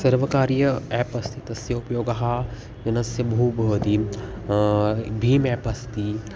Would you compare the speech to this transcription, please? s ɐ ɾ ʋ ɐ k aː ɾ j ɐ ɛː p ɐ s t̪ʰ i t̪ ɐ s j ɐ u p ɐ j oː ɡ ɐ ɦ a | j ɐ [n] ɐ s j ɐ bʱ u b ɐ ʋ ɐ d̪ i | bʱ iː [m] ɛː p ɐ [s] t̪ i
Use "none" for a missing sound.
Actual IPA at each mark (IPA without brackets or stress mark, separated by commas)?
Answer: n, m, s